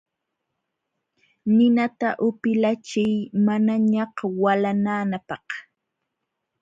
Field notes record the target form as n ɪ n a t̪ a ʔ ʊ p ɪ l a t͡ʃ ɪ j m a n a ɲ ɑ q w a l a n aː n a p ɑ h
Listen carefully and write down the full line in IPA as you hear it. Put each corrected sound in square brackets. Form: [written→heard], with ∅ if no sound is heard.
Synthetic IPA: n ɪ n a t̪ a ʔ ʊ p ɪ l a t͡ʃ ɪ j m a n a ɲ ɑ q w a l a n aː n a p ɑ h